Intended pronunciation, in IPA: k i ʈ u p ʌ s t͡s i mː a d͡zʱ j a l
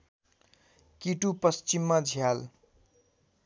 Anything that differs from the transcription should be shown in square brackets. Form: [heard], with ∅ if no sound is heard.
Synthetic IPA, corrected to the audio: k i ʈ u p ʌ s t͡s i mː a d͡zʱ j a l